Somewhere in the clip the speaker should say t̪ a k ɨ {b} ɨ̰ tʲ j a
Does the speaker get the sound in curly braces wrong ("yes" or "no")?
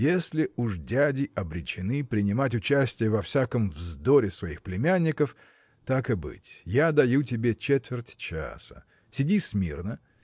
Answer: no